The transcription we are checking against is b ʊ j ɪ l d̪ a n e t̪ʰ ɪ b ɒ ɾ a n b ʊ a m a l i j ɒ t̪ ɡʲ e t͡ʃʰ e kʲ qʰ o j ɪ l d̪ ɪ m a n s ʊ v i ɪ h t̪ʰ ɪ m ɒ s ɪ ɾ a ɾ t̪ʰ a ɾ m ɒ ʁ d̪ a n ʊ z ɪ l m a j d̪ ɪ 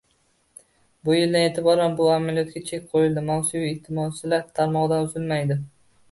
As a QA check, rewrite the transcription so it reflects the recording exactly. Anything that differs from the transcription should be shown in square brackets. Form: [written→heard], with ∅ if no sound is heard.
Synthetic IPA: b ʊ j ɪ l d̪ a n e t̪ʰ ɪ b ɒ ɾ a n b ʊ a m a l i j ɒ t̪ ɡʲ [e→a] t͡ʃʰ e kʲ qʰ o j ɪ l d̪ ɪ m a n s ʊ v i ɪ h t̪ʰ ɪ m ɒ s ɪ [ɾ→l] a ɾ t̪ʰ a ɾ m ɒ ʁ d̪ a n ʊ z ɪ l m a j d̪ ɪ